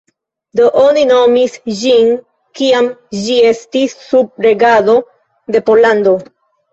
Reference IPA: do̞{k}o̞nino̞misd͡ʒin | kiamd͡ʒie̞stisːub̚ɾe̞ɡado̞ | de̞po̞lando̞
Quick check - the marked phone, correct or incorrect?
incorrect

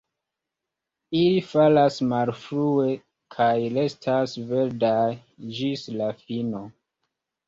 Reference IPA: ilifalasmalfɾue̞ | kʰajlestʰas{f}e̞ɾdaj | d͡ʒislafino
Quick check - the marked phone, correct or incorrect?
incorrect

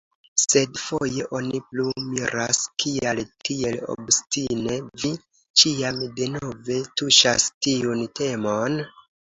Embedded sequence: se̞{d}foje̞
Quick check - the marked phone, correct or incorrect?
correct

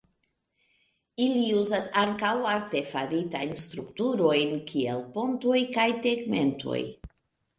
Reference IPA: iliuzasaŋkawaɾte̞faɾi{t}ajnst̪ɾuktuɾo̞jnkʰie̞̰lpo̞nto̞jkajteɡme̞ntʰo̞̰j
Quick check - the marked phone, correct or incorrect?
correct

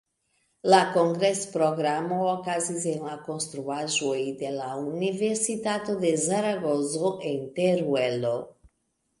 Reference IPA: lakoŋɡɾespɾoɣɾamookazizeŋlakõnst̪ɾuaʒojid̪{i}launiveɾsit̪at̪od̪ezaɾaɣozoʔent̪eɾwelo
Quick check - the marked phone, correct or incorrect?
incorrect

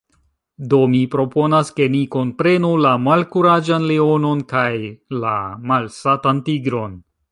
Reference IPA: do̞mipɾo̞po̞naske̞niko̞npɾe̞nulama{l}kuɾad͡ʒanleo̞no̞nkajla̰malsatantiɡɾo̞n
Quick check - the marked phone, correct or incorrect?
correct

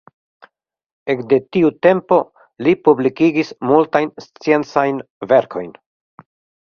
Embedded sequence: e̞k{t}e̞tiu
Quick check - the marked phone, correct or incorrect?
incorrect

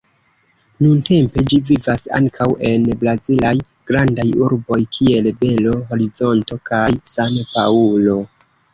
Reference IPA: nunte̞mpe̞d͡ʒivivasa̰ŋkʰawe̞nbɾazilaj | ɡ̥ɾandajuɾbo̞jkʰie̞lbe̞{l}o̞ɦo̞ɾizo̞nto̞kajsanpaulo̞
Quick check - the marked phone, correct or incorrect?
correct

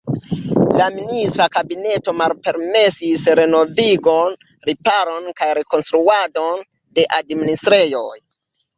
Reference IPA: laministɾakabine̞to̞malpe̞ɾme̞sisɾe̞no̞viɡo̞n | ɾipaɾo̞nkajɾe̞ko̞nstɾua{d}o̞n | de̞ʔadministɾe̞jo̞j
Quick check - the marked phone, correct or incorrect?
correct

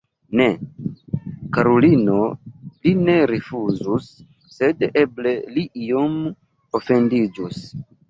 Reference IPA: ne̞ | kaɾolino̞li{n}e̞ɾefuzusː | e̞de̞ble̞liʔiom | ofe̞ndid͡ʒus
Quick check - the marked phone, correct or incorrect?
correct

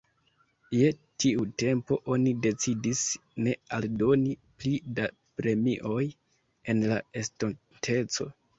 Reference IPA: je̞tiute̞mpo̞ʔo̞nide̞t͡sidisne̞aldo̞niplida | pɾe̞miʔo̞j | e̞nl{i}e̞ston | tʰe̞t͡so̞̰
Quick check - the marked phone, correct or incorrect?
incorrect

